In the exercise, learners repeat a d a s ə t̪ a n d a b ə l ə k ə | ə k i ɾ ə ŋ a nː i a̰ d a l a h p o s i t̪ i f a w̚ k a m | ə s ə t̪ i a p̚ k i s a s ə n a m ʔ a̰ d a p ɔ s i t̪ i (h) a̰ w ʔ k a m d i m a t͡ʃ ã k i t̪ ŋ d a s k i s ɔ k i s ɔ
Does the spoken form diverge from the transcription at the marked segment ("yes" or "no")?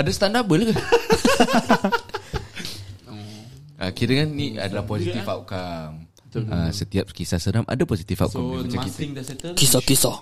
yes